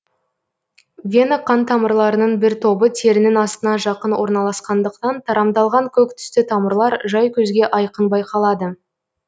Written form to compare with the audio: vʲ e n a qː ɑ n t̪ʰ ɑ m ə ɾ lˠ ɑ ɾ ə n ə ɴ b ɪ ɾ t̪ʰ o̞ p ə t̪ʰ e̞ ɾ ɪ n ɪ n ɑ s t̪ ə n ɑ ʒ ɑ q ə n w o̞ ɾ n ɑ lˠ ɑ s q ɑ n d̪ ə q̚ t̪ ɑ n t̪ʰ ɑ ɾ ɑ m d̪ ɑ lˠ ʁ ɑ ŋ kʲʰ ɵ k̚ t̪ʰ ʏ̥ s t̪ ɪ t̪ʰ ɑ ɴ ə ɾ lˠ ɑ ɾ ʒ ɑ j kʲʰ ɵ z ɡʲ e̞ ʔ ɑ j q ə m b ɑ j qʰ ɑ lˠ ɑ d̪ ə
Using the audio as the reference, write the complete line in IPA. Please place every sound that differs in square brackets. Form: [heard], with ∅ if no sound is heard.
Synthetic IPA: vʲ e n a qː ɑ n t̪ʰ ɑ m ə ɾ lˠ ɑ ɾ ə n ə ɴ b ɪ ɾ t̪ʰ o̞ [b] ə t̪ʰ e̞ ɾ ɪ n ɪ n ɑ s t̪ ə n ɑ ʒ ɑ q ə n w o̞ ɾ n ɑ lˠ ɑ s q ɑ n d̪ ə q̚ t̪ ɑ n t̪ʰ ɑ ɾ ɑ m d̪ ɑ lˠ ʁ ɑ ŋ kʲʰ ɵ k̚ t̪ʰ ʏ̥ s t̪ ɪ t̪ʰ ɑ [m] ə ɾ lˠ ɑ ɾ ʒ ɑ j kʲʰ ɵ z ɡʲ e̞ ʔ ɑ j q ə [n] b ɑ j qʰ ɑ lˠ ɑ d̪ ə